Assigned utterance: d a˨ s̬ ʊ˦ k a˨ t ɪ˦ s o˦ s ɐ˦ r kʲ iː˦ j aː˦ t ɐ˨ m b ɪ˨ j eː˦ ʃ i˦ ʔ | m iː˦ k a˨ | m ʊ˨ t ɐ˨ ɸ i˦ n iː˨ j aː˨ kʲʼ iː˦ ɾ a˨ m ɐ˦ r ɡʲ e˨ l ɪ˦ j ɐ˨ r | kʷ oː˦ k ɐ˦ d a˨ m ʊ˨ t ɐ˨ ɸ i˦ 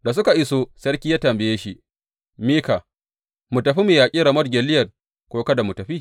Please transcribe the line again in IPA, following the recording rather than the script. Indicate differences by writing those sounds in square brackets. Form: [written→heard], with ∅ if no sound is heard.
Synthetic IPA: d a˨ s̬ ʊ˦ k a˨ [t→ʔ] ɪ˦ s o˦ s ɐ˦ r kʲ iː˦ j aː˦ t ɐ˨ m b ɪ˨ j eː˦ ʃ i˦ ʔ | m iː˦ k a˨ | m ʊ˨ t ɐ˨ ɸ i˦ [n→m] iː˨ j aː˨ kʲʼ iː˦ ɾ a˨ m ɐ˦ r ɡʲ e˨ l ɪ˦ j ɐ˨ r | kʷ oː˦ k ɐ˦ d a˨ m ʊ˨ t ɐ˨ ɸ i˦